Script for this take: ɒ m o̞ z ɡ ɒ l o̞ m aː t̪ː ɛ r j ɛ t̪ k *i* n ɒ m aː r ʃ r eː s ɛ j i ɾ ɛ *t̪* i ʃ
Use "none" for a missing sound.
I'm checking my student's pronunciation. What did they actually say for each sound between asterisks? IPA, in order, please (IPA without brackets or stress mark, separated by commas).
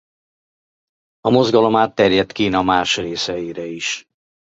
iː, none